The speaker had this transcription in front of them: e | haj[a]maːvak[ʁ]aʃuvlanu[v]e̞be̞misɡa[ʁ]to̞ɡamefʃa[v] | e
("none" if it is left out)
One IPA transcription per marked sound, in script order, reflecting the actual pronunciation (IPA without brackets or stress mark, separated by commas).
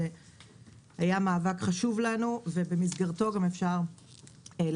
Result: a, χ, v, ʁ, ʁ